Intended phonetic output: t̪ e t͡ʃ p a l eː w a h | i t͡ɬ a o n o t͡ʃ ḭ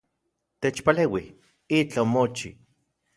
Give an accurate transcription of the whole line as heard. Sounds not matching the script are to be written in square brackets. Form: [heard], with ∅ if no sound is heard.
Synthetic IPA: t̪ e t͡ʃ p a l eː w [i] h | i t͡ɬ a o [m] o t͡ʃ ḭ